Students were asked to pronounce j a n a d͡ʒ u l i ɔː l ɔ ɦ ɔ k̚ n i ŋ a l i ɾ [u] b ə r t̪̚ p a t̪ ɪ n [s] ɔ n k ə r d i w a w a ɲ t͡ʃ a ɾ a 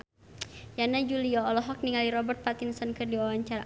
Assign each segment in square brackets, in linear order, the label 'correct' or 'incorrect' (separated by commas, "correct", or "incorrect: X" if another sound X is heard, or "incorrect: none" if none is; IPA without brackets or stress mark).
incorrect: ɔ, correct